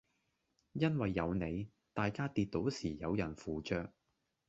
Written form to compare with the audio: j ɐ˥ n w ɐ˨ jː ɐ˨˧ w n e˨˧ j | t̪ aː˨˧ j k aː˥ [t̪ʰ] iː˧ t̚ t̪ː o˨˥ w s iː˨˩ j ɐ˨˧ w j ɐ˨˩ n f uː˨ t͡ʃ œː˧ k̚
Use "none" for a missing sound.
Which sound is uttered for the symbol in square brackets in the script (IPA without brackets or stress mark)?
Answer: t̪